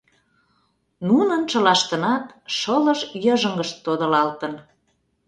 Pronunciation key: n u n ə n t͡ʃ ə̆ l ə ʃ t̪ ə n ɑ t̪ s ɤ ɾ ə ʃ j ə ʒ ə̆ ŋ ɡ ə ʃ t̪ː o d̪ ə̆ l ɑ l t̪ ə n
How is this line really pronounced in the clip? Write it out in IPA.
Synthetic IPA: n u n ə n t͡ʃ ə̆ l ɑ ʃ t̪ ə n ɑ t̪ ʃ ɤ l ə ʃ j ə ʒ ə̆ ŋ ɡ ə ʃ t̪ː o d̪ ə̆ l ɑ l t̪ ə n

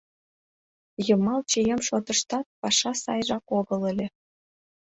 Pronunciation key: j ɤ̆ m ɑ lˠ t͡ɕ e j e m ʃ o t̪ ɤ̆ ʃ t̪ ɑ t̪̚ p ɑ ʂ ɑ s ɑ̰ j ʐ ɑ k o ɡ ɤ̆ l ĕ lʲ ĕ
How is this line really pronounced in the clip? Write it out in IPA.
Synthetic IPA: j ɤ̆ m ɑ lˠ t͡ɕ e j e m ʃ o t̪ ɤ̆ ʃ t̪ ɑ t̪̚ p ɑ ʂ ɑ s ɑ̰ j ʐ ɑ k o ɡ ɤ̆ l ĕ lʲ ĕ

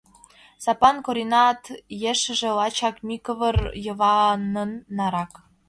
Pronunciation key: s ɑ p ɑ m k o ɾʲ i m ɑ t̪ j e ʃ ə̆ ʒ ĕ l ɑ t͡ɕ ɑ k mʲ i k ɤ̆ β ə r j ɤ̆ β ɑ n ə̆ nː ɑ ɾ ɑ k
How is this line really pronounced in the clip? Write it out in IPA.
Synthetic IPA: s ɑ p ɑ n k o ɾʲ i n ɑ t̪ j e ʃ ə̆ ʒ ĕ l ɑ t͡ɕ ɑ k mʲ i k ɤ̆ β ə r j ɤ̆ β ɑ n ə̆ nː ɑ ɾ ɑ k

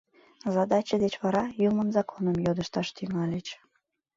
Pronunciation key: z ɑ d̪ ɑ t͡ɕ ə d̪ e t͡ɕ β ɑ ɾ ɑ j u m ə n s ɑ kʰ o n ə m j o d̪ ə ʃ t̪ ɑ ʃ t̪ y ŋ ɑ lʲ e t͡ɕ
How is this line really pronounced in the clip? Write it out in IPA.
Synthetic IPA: z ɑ d̪ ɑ t͡ɕ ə d̪ e t͡ɕ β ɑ ɾ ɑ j u m ə n z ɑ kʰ o n ə m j o d̪ ə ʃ t̪ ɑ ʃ t̪ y ŋ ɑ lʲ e t͡ɕ

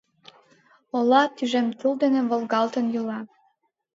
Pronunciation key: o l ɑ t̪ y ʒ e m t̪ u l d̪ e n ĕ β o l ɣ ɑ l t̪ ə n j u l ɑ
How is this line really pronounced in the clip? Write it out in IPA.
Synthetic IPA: o l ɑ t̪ y ʒ e m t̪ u l d̪ e n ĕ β o l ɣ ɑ l t̪ ə n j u l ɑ

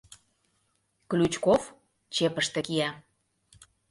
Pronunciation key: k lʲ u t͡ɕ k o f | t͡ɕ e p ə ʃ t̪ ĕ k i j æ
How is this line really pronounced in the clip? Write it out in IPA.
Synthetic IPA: k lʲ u t͡ɕ k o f | t͡ɕ e p ə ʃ t̪ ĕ k i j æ

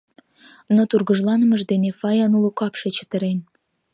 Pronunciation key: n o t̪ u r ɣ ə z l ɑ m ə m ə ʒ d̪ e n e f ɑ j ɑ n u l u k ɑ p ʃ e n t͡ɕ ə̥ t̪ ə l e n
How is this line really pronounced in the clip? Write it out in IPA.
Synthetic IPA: n o t̪ u r ɣ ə ʒ l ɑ n ə m ə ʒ d̪ e n e f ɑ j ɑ n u l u k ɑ p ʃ e t͡ɕ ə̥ t̪ ə ɾ e n

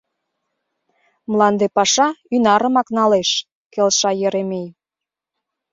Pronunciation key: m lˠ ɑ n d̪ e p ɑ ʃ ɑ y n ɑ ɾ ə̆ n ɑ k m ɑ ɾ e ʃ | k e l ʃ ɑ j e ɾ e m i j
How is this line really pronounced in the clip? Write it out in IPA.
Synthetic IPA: m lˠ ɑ n d̪ e p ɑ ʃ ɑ y n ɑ ɾ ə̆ m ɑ k n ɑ l e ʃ | k e l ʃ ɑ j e ɾ e m e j

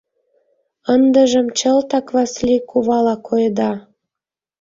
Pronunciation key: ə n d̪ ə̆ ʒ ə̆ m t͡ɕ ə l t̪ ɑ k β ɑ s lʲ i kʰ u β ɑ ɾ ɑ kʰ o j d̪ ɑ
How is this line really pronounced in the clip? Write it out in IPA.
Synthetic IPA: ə n d̪ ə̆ ʒ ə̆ m t͡ɕ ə l t̪ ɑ k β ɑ s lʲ i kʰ u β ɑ l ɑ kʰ o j d̪ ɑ

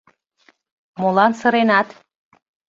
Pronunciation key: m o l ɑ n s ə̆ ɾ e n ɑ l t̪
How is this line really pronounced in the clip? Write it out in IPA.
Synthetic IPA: m o l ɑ n s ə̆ ɾ e n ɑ t̪

